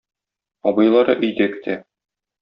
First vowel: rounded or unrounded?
rounded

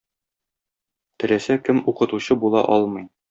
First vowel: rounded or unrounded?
unrounded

